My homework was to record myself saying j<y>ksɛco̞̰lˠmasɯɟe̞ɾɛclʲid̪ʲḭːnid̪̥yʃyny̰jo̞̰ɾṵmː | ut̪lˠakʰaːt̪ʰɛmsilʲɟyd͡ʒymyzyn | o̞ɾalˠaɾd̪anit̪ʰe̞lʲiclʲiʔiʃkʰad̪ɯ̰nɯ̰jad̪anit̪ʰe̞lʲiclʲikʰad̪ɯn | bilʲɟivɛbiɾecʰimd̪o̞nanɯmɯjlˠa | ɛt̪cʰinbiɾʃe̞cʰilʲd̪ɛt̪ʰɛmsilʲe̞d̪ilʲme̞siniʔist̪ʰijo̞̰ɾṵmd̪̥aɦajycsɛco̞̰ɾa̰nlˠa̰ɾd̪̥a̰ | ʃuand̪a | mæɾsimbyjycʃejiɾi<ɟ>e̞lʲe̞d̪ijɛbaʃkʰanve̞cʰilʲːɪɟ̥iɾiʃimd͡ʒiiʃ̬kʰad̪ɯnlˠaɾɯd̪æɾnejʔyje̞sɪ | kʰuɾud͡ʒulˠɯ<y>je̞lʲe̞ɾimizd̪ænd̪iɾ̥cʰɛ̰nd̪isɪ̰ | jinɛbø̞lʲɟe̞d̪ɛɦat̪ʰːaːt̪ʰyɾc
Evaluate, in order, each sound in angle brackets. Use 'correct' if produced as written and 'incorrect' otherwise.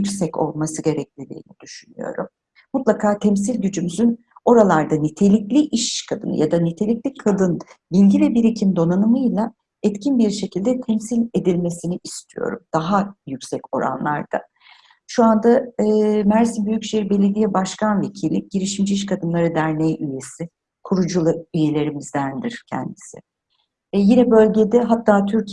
correct, incorrect: b, correct

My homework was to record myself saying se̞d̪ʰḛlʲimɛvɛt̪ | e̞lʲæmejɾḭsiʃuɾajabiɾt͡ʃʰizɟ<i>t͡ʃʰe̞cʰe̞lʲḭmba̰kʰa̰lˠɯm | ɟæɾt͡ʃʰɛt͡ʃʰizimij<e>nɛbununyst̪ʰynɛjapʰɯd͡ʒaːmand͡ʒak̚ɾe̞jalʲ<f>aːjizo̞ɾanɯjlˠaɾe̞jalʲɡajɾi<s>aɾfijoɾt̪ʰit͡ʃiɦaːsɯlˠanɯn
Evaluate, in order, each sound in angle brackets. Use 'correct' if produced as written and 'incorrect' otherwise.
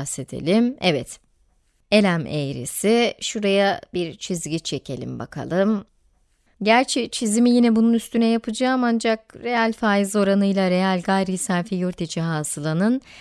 correct, incorrect: i, correct, correct

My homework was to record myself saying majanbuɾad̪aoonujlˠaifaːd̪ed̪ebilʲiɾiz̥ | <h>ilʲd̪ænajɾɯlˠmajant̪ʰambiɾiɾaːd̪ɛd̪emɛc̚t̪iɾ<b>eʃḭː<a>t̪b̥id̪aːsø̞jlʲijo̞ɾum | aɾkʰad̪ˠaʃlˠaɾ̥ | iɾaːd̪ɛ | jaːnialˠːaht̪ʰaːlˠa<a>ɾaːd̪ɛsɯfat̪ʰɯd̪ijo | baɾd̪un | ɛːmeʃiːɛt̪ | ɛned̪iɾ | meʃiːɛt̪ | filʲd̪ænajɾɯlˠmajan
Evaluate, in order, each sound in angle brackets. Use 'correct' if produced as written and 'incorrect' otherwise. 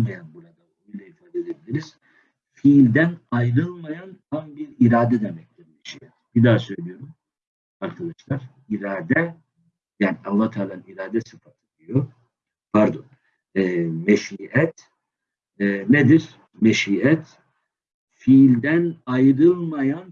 incorrect: f, incorrect: m, incorrect: ɛ, incorrect: i

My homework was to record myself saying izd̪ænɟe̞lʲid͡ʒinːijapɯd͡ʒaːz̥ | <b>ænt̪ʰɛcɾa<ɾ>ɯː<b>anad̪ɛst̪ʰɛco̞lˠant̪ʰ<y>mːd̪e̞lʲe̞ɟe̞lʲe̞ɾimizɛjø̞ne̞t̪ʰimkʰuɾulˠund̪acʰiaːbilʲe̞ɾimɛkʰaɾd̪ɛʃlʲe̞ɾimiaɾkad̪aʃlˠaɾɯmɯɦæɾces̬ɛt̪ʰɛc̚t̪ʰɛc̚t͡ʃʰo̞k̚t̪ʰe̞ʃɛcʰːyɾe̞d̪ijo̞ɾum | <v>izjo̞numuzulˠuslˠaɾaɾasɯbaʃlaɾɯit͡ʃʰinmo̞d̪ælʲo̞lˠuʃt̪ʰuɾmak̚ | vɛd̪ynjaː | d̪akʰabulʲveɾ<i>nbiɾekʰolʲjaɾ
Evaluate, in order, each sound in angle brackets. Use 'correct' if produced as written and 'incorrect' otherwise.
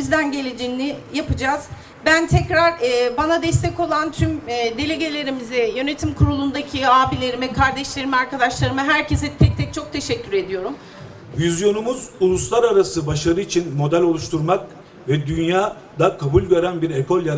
correct, correct, correct, correct, correct, incorrect: æ

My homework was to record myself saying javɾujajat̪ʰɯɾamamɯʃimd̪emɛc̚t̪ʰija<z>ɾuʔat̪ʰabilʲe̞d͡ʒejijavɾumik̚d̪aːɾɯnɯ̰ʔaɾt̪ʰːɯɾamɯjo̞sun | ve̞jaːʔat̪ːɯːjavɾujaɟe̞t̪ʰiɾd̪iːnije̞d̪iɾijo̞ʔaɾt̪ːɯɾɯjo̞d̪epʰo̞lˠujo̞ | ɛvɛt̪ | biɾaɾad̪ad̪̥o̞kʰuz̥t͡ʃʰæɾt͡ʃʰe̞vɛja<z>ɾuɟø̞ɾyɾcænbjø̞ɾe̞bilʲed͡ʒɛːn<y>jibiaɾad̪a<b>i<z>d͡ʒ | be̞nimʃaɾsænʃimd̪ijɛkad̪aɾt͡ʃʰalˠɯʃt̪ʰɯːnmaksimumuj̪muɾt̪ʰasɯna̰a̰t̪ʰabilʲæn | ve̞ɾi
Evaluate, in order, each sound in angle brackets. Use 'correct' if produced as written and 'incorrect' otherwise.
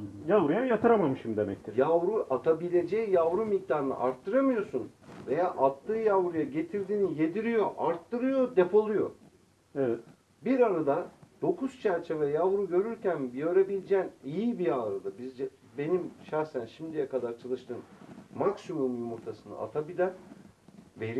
incorrect: v, incorrect: v, incorrect: i, correct, correct

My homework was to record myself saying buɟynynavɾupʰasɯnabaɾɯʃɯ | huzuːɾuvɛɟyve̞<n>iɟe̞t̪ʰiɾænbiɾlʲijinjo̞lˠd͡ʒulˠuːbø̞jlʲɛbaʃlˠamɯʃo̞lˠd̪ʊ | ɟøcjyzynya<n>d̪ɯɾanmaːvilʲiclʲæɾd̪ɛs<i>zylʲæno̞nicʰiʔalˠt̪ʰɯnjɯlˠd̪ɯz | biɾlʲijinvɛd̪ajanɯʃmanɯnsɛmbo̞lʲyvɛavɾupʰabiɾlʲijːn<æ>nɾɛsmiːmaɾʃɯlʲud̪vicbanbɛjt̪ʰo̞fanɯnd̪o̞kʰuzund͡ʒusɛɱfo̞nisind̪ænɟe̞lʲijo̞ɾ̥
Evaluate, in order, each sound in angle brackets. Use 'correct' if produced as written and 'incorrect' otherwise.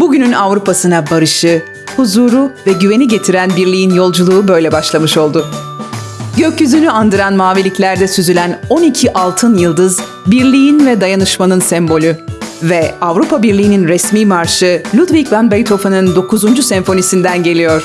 correct, correct, incorrect: y, incorrect: i

